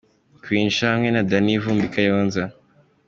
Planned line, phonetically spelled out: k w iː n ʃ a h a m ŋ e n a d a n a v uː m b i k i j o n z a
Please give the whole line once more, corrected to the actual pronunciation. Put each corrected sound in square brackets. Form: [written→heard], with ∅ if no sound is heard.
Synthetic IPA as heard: k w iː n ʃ a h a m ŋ e n a d a n [a→i] v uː m b i k [i→a] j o n z a